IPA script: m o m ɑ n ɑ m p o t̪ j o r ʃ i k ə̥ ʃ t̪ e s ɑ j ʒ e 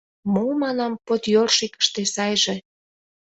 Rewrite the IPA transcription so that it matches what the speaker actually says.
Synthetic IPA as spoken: m o m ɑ n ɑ m p o t̪ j o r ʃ i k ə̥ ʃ t̪ e s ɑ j ʒ e